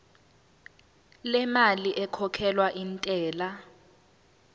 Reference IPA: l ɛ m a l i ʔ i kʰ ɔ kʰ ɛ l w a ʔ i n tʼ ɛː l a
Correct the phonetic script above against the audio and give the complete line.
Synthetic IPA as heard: l ɛ m a l i ʔ ɛ kʰ ɔ kʰ ɛ l w a ʔ i n tʼ ɛː l a